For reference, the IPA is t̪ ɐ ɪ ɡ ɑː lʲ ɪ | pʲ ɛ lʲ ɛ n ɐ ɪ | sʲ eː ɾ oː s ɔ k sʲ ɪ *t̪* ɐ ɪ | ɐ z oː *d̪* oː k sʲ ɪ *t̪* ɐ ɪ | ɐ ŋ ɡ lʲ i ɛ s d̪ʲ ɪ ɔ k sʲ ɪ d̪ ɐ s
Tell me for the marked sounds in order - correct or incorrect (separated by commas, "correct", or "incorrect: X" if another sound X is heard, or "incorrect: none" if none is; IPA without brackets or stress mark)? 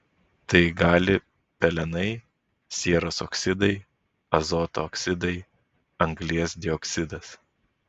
incorrect: d̪, incorrect: t̪, incorrect: d̪